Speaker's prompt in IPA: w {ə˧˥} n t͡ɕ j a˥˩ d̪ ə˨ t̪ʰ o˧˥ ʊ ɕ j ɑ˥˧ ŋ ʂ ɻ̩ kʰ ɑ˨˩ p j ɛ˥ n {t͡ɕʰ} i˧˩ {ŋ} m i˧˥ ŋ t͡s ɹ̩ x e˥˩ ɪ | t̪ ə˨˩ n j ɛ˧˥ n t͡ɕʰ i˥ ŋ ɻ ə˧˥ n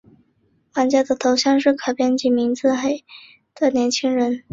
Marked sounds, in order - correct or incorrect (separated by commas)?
incorrect, incorrect, incorrect